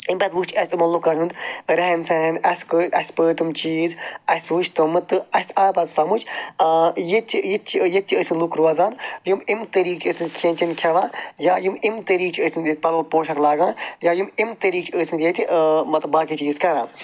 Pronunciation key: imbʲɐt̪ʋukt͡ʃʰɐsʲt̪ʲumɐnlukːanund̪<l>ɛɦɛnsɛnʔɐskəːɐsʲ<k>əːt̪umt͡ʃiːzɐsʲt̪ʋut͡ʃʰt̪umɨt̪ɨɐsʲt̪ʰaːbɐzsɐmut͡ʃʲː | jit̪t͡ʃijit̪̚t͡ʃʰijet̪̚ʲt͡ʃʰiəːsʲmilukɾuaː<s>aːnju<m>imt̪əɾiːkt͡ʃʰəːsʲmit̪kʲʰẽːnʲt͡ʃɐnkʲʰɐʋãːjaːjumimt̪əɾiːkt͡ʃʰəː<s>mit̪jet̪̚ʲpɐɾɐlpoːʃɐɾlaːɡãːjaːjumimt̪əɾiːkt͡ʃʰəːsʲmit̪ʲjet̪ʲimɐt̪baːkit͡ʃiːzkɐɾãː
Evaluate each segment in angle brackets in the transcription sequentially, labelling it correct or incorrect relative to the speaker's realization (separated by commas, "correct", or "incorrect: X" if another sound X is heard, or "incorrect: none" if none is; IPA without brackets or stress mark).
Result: incorrect: ɾ, incorrect: p, incorrect: z, correct, correct